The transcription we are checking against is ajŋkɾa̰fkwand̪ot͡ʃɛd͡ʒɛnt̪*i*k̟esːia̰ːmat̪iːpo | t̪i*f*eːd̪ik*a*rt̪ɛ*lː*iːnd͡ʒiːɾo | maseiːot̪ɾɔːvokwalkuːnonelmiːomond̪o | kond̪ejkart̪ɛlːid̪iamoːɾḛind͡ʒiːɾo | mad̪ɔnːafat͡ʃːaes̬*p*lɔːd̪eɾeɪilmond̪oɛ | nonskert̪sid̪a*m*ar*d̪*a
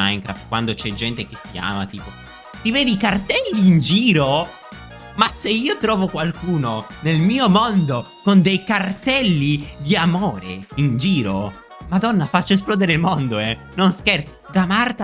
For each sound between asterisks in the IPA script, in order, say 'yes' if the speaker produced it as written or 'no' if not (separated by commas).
no, no, yes, yes, yes, yes, no